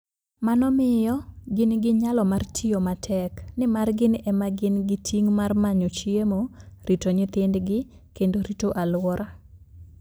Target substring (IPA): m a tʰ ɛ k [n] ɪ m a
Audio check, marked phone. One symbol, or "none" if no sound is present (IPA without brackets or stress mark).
n